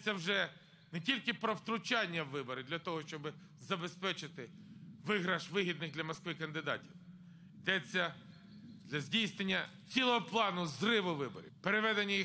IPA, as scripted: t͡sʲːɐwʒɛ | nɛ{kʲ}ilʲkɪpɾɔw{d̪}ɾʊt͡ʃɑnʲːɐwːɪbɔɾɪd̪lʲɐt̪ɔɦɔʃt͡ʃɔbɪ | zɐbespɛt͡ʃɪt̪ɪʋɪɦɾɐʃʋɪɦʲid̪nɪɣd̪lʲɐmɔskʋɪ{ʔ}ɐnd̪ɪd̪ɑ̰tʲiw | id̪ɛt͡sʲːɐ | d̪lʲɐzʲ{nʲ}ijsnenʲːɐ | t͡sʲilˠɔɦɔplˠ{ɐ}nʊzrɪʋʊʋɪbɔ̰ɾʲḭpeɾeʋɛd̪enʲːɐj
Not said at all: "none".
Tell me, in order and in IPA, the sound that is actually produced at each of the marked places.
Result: tʲ, t̪, k, dʲ, ɑ

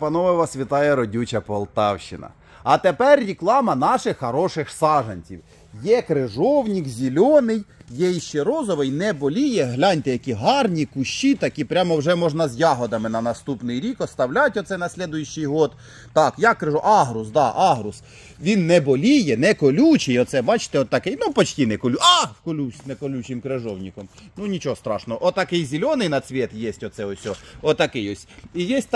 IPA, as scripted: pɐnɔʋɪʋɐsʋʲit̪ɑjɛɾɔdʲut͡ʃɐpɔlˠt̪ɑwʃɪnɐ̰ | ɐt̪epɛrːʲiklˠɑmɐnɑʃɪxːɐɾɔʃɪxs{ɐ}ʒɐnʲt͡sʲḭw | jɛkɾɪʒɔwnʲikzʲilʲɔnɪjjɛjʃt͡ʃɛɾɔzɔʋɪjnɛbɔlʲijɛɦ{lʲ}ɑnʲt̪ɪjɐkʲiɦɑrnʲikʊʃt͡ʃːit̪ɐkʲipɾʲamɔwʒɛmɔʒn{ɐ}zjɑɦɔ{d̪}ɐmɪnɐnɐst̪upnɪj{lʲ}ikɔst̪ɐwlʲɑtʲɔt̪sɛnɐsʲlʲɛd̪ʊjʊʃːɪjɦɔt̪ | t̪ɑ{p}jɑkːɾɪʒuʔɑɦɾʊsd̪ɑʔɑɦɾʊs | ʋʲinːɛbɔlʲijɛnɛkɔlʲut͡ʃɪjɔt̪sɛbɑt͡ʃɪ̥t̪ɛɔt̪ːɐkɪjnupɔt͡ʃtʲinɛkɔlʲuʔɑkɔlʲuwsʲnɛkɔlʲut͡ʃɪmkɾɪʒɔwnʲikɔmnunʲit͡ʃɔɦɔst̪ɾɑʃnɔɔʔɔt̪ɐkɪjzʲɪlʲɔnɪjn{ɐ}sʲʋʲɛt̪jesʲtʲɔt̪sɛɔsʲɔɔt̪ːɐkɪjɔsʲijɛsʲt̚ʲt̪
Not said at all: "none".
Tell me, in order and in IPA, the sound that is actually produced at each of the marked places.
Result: ɑ, lʲ, ɐ, d̪, ɾʲ, k, ɐ

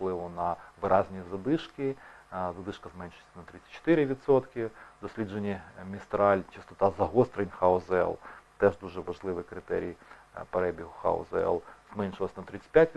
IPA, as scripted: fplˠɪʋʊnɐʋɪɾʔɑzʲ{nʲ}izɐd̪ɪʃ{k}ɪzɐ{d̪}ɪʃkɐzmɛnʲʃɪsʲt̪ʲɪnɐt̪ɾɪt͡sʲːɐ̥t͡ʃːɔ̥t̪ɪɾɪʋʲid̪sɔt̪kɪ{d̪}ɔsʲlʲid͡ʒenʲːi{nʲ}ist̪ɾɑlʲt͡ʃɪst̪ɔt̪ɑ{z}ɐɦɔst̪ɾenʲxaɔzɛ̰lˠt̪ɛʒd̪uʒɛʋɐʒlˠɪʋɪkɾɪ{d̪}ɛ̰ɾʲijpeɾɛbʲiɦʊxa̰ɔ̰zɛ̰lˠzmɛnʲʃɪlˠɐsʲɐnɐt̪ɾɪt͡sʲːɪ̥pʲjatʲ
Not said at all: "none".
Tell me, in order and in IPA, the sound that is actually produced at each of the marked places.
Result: nʲ, k, d̪, d̪, mʲ, z, t̪

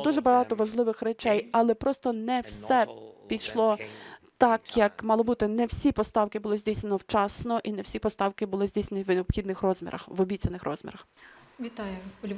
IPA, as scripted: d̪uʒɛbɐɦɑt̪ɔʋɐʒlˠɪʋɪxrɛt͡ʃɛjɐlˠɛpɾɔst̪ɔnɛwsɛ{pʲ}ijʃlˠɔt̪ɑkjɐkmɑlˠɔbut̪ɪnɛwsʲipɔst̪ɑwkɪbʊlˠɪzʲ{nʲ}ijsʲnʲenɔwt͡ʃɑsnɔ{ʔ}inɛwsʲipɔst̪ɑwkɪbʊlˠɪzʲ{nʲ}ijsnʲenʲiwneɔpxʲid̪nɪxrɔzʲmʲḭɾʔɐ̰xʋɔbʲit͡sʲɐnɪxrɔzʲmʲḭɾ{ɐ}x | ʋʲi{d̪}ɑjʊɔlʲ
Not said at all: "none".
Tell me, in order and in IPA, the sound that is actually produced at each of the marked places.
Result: pʲ, dʲ, ʔ, dʲ, ɐ, t̪

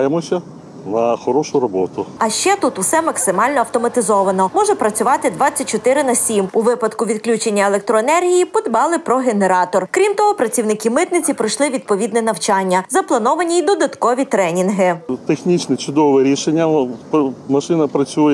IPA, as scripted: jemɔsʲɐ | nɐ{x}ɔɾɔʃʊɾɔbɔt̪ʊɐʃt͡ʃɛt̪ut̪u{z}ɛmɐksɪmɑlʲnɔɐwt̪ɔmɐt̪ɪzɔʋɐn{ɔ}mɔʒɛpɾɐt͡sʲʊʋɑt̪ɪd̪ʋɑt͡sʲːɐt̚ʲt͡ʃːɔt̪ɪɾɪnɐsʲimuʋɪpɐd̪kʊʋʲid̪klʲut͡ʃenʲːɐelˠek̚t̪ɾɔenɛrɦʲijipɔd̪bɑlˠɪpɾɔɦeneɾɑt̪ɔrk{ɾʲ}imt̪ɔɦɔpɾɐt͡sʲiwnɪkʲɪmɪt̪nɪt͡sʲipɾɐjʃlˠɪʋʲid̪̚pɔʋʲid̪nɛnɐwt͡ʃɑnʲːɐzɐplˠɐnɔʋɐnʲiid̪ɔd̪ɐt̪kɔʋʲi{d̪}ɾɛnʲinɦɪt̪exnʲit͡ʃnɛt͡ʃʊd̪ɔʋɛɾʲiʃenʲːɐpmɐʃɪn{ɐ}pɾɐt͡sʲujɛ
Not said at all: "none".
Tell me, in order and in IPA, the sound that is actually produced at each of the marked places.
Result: x, s, ɔ, ɾʲ, t̪, ɐ

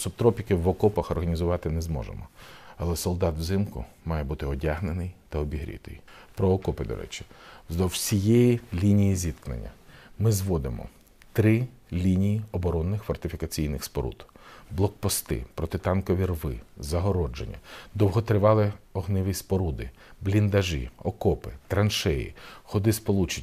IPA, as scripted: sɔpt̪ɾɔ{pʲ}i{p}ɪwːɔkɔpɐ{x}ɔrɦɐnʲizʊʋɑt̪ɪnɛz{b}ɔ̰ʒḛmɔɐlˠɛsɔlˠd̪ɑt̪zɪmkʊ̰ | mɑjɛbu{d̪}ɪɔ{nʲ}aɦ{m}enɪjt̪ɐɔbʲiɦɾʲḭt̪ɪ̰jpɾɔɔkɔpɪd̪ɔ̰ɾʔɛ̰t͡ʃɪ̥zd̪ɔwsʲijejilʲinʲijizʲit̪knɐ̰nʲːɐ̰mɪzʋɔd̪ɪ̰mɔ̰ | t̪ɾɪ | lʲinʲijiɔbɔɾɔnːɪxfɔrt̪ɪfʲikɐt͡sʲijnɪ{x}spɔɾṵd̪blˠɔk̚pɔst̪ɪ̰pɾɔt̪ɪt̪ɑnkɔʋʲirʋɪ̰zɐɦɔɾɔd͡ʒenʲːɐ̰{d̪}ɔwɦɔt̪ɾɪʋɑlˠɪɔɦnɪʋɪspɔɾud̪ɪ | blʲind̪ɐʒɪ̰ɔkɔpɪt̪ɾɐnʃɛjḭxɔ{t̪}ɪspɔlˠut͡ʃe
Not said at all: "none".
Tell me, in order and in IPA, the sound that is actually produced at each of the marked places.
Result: pʲ, k, x, m, t̪, dʲ, n, x, d̪, d̪

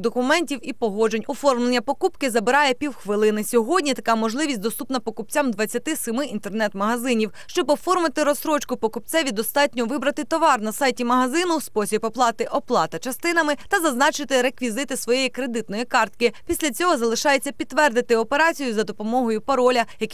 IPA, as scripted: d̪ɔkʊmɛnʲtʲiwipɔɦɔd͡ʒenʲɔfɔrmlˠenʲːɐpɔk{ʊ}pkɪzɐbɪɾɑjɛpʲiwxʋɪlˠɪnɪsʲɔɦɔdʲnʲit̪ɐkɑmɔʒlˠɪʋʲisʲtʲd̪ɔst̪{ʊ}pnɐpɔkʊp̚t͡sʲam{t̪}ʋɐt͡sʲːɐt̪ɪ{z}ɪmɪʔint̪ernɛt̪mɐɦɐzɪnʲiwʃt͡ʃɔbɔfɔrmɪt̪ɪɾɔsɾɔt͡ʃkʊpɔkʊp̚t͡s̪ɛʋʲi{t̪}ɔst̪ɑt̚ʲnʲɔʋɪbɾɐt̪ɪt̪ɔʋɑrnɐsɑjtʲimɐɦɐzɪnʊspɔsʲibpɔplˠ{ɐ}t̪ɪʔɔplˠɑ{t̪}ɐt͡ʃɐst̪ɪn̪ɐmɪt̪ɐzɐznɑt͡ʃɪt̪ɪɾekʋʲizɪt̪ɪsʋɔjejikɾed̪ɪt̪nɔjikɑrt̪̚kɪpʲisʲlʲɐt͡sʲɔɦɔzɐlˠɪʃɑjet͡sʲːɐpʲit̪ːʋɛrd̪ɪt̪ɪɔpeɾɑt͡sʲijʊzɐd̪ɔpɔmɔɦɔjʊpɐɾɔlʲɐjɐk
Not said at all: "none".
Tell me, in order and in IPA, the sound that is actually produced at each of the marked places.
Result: u, u, d̪, s, d̪, ɑ, t̪

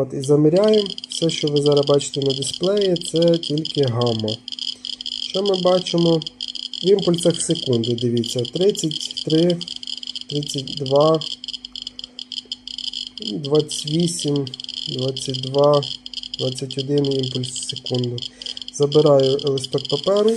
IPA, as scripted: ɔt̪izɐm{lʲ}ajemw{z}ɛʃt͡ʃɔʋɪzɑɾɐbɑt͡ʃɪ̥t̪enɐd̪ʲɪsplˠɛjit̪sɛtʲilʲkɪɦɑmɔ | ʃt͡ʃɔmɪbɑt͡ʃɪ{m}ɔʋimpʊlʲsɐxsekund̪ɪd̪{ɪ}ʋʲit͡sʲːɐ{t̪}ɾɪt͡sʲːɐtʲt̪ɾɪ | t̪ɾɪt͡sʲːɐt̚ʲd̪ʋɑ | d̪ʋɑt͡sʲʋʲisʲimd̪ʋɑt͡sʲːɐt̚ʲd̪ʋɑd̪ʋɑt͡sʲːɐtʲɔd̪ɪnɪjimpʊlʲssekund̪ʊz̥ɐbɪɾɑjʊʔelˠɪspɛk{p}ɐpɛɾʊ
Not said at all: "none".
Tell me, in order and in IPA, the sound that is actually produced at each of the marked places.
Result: ɾʲ, s, m, ɪ, t̪, p

